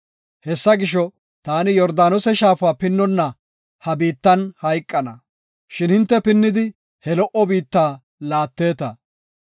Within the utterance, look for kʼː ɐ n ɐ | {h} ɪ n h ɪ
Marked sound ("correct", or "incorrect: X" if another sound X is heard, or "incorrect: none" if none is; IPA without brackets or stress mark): incorrect: ʃ